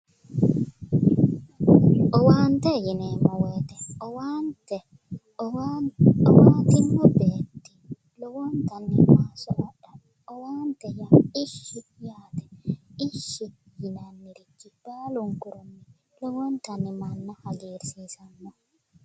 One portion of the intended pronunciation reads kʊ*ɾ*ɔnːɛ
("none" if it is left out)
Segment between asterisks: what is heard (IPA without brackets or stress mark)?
ɾ